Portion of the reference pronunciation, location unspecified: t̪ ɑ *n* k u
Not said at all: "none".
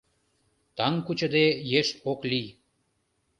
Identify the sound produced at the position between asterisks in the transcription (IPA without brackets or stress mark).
ŋ